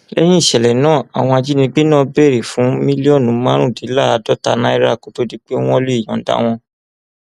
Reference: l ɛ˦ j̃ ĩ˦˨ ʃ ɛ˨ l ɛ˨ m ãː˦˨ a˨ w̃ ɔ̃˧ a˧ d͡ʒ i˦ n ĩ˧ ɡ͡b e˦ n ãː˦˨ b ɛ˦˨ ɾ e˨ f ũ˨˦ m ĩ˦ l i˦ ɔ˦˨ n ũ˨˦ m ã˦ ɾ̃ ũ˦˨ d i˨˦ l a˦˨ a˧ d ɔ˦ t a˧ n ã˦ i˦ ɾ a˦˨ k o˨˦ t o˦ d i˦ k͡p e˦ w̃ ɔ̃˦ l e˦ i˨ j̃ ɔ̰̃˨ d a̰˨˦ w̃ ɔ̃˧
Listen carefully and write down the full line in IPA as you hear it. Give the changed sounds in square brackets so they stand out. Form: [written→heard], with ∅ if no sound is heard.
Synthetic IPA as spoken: l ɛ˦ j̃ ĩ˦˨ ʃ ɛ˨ l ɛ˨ [m→n] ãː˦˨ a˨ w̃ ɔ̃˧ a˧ d͡ʒ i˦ n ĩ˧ ɡ͡b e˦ n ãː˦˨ b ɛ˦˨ ɾ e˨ f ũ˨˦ m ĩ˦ l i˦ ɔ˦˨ n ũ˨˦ m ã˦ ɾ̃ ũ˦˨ d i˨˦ l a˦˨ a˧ d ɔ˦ t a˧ n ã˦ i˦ ɾ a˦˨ k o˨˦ t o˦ d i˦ k͡p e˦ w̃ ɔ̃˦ l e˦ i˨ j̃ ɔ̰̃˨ d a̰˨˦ w̃ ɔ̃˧

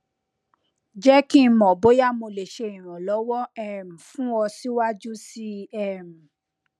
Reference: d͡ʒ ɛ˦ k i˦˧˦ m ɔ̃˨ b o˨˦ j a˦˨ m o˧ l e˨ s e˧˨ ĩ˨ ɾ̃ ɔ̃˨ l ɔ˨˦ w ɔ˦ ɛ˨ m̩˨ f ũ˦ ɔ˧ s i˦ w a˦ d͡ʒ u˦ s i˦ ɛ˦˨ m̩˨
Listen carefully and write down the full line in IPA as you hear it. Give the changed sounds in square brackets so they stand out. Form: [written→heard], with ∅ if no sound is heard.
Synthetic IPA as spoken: d͡ʒ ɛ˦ k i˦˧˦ m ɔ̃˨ b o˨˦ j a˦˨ m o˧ l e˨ [s→ʃ] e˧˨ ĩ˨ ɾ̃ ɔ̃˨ l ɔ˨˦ w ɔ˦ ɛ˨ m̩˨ f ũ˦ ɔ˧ s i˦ w a˦ d͡ʒ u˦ s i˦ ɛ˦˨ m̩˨

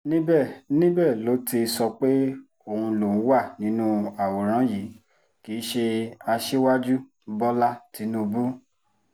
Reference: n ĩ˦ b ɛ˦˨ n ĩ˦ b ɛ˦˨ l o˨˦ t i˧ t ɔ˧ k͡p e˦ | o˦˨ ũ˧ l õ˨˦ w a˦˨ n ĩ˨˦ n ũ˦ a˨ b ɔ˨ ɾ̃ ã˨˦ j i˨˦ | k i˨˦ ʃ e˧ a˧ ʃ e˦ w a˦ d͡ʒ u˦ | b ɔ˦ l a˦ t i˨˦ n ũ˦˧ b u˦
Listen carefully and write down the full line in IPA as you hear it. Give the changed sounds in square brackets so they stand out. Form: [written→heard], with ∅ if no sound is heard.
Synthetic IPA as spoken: n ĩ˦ b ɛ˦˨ n ĩ˦ b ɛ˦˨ l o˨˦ t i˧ [t→s] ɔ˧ k͡p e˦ | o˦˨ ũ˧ l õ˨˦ w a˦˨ n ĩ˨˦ n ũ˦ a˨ [b→w] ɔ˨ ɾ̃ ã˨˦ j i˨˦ | k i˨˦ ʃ e˧ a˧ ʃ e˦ w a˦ d͡ʒ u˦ | b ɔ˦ l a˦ t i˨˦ n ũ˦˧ b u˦

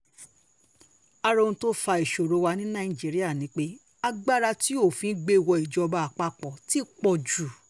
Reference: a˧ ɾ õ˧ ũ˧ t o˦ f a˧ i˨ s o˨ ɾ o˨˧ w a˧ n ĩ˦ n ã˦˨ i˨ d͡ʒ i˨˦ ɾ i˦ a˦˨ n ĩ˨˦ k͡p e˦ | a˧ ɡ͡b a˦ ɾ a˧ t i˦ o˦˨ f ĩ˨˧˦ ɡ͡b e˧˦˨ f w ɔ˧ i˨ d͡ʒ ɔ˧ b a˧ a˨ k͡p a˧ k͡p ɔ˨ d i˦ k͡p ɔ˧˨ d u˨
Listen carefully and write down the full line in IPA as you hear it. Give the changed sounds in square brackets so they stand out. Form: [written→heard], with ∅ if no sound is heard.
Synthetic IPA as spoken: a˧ ɾ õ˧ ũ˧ t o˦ f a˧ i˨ [s→ʃ] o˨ ɾ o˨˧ w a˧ n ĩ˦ n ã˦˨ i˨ d͡ʒ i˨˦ ɾ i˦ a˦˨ n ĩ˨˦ k͡p e˦ | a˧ ɡ͡b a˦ ɾ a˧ t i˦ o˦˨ f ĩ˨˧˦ ɡ͡b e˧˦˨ [f→∅] w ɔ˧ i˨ d͡ʒ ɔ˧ b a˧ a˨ k͡p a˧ k͡p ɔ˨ [d→t] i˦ k͡p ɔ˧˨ [d→d͡ʒ] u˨

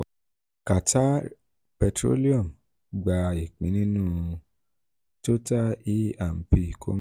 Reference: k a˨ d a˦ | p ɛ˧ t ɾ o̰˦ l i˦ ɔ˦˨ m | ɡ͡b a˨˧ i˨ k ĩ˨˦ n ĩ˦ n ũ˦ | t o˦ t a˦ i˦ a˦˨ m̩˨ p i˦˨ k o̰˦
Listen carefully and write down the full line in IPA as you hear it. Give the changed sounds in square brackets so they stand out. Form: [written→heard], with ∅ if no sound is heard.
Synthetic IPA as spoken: k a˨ [d→t] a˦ | p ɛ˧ t ɾ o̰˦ l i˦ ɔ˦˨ m | ɡ͡b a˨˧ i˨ [k→k͡p] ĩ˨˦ n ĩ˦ n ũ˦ | t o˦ t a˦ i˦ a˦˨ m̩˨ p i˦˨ k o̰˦

